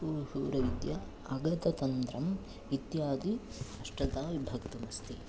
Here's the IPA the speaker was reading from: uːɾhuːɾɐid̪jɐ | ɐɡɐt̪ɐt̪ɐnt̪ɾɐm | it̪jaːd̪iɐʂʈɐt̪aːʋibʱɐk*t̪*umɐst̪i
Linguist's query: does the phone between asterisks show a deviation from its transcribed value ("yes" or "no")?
no